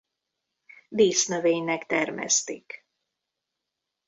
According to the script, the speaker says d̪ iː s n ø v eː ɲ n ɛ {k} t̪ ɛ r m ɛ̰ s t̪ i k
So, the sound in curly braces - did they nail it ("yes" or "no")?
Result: yes